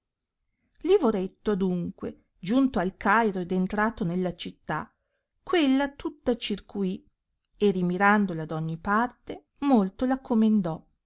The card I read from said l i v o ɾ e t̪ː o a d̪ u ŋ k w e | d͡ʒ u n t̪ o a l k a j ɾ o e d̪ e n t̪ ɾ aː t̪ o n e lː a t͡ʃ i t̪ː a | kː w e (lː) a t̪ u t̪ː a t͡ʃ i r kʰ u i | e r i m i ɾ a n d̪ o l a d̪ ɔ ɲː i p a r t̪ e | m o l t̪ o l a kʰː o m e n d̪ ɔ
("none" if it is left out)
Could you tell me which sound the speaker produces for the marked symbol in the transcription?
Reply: lː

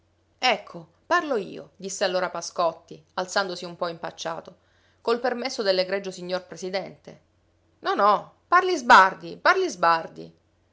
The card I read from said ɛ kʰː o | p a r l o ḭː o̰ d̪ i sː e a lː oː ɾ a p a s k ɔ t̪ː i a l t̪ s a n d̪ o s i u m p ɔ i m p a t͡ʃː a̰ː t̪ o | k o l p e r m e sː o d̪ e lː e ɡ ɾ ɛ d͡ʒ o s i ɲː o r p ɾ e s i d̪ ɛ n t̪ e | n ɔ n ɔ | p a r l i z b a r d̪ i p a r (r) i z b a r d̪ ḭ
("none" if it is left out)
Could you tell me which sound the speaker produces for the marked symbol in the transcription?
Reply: l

